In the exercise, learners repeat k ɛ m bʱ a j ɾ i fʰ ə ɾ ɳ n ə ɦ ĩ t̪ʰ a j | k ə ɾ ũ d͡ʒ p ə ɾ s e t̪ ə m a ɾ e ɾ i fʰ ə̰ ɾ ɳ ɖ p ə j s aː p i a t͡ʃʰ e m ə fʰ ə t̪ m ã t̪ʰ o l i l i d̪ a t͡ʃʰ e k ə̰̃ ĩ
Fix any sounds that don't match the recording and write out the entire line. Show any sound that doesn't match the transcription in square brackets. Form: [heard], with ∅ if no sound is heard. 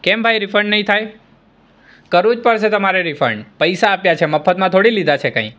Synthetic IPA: k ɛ m bʱ a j ɾ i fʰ ə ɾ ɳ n ə ɦ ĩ t̪ʰ a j | k ə ɾ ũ d͡ʒ p ə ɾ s e t̪ ə m a ɾ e ɾ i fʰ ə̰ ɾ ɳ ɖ p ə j s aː p [j] a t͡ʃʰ e m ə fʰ ə t̪ m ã t̪ʰ o [ɽ] i l i d̪ a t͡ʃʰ e k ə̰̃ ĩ

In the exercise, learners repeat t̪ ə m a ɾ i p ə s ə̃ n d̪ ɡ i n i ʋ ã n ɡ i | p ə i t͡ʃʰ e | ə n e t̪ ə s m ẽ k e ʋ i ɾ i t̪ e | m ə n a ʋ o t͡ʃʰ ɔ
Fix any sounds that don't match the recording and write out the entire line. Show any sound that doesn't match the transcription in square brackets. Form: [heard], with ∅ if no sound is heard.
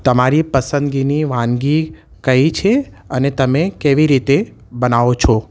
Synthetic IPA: t̪ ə m a ɾ i p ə s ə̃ n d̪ ɡ i n i ʋ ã n ɡ i | [k] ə i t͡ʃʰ e | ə n e t̪ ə [∅] m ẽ k e ʋ i ɾ i t̪ e | [b] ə n a ʋ o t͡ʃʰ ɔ

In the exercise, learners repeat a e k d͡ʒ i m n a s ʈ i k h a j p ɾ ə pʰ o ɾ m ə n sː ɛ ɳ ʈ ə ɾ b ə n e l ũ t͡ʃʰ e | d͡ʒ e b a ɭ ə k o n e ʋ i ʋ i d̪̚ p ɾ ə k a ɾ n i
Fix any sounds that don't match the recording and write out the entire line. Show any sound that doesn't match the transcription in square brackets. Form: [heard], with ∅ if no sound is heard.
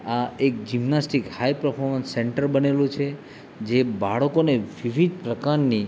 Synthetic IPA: a e k d͡ʒ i m n a s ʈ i k h a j p ɾ ə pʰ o ɾ m ə n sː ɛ ɳ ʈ ə ɾ b ə n e l ũ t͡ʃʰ e | d͡ʒ e b a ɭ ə k o n e ʋ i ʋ i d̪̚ p ɾ ə k a ɾ n i

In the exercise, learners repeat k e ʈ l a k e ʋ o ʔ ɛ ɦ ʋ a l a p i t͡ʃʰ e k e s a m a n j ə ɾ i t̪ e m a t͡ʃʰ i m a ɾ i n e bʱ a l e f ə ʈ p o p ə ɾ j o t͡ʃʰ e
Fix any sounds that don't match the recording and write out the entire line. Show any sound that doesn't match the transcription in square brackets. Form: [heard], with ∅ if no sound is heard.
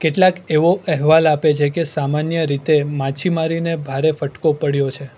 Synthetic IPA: k e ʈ l a k e ʋ o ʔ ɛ ɦ ʋ a l a p [e] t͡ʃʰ e k e s a m a n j ə ɾ i t̪ e m a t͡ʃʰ i m a ɾ i n e bʱ a [ɾ] e f ə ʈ [k] o p ə [ɽ] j o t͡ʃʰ e

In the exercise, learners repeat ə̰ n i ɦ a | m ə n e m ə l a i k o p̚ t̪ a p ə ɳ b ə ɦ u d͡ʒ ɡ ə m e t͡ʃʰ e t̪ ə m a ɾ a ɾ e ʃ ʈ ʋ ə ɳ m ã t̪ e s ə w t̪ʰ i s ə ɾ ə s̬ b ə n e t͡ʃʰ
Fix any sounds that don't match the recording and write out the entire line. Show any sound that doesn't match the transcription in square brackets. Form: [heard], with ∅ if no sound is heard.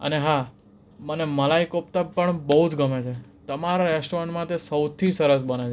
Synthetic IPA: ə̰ n [e] ɦ a | m ə n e m ə l a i k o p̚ t̪ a p ə ɳ b ə ɦ u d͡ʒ ɡ ə m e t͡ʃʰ e t̪ ə m a ɾ a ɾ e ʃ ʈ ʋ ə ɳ m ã t̪ e s ə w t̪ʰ i s ə ɾ ə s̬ b ə n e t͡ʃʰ

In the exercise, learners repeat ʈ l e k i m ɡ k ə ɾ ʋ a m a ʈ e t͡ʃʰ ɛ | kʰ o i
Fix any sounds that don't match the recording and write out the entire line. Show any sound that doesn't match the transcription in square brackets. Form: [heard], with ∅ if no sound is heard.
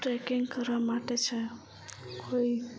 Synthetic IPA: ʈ [ɾ] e k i [ŋ] ɡ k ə ɾ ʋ a m a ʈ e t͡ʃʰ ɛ | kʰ o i

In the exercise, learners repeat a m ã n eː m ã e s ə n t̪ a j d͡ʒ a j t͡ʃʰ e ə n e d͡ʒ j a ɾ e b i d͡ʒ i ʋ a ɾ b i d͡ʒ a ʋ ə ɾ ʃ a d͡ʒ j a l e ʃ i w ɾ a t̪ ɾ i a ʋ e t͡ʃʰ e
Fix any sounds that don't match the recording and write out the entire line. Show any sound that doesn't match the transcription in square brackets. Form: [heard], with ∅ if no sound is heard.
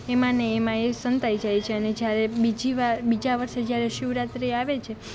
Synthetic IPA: [e] m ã n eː m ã e s ə n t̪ a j d͡ʒ a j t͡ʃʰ e ə n e d͡ʒ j a ɾ e b i d͡ʒ i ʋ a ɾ b i d͡ʒ a ʋ ə ɾ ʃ [e] d͡ʒ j a [ɾ] e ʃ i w ɾ a t̪ ɾ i a ʋ e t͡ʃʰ e

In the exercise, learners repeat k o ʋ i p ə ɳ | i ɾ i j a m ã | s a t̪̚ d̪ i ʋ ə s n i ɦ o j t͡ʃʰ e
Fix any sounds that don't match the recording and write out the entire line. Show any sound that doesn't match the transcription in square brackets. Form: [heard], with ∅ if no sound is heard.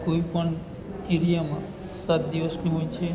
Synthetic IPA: k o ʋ i p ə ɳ | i ɾ i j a m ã | s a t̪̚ d̪ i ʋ ə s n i ɦ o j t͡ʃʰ e

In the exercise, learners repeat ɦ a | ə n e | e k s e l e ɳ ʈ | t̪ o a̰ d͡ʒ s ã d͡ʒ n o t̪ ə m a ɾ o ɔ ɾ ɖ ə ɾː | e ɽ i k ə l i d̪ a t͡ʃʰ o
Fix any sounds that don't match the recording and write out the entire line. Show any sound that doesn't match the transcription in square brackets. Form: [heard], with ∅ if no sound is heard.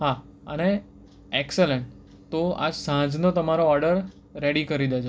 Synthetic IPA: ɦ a | ə n e | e k s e l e ɳ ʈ | t̪ o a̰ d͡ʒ s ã d͡ʒ n o t̪ ə m a ɾ o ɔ ɾ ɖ ə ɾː | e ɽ i k ə [ɾ] i d̪ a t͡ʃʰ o

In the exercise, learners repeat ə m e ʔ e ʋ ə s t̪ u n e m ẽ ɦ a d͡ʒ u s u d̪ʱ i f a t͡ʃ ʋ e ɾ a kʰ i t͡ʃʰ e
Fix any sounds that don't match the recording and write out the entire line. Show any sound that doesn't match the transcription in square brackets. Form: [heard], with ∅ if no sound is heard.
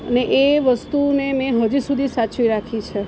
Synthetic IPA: ə [n] e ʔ e ʋ ə s t̪ u n e m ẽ ɦ [ə] d͡ʒ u s u d̪ʱ i [s] a t͡ʃ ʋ [i] ɾ a kʰ i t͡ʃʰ e

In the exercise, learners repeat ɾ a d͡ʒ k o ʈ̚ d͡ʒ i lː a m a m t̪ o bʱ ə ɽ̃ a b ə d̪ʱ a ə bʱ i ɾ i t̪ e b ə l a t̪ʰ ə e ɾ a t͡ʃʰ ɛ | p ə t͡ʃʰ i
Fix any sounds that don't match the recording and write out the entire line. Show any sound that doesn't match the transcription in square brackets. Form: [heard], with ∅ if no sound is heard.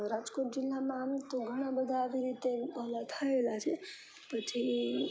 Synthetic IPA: ɾ a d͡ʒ k o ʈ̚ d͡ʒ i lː a m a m t̪ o [ɡʱ] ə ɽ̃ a b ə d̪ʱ a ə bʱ i ɾ i t̪ e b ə l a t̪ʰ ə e [l] a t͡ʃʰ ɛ | p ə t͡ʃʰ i

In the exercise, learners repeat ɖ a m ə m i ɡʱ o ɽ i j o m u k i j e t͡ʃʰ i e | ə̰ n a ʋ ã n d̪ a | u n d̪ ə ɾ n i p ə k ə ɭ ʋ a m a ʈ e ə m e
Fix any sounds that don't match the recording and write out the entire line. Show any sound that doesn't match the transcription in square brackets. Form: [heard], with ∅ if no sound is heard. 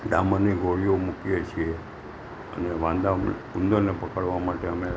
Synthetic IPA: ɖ a m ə [n] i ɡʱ o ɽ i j o m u k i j e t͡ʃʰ i e | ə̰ n [e] ʋ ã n d̪ a | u n d̪ ə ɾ n [e] p ə k ə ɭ ʋ a m a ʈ e ə m e

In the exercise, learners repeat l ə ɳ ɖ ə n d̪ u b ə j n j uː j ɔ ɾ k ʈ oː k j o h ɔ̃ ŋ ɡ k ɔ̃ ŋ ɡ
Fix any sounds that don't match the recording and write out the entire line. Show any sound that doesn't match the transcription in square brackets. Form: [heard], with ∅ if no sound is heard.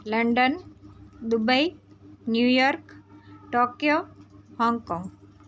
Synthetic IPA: l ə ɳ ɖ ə n d̪ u b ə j n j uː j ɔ ɾ k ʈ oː k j o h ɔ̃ ŋ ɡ k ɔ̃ ŋ ɡ

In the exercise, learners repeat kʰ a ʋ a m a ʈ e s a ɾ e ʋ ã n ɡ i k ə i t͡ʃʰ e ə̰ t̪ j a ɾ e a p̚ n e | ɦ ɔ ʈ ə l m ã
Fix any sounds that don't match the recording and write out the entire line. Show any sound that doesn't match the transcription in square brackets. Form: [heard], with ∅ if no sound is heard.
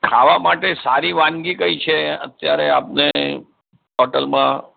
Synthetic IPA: kʰ a ʋ a m a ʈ e s a ɾ [i] ʋ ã n ɡ i k ə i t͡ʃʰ e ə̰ t̪ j a ɾ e a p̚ n e | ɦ ɔ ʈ ə l m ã

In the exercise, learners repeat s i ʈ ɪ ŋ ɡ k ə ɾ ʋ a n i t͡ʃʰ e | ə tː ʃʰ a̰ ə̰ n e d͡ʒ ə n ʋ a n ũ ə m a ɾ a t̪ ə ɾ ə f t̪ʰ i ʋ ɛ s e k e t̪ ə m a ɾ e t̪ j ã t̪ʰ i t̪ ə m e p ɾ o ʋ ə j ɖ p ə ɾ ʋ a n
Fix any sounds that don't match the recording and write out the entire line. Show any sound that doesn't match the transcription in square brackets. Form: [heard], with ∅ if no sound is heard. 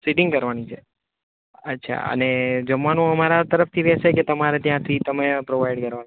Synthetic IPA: s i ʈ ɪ ŋ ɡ k ə ɾ ʋ a n i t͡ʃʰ e | ə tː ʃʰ a̰ ə̰ n e d͡ʒ ə [m] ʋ a n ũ ə m a ɾ a t̪ ə ɾ ə f t̪ʰ i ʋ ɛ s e k e t̪ ə m a ɾ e t̪ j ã t̪ʰ i t̪ ə m e p ɾ o ʋ [a] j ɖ [k] ə ɾ ʋ a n

